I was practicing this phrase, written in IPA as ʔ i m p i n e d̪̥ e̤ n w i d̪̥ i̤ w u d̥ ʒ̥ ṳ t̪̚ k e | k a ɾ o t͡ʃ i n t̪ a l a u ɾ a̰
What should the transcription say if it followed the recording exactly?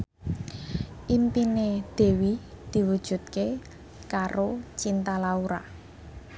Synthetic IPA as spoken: ʔ i m p i n e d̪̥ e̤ w i d̪̥ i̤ w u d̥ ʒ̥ ṳ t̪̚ k e | k a ɾ o t͡ʃ i n t̪ a l a u ɾ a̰